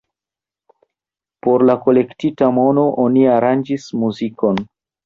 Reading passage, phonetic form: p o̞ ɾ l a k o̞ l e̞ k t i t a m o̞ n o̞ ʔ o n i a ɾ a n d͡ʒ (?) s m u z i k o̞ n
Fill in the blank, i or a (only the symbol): i